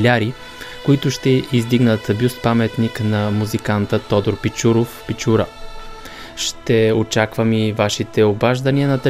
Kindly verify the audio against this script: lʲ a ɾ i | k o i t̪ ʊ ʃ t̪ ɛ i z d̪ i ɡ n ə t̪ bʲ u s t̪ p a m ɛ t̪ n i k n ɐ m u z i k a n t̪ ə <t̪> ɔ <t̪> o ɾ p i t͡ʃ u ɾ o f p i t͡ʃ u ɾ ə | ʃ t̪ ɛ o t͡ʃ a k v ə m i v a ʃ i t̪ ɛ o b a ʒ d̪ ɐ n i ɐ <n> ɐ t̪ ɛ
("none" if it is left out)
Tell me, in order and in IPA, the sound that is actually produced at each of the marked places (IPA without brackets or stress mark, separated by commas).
t̪, d̪, n